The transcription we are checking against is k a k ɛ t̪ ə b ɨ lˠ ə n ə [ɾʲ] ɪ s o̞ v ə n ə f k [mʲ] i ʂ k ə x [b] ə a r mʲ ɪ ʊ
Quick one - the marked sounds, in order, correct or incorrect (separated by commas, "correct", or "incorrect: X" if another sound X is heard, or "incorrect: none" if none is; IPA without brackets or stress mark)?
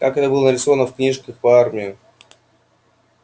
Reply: correct, incorrect: nʲ, incorrect: p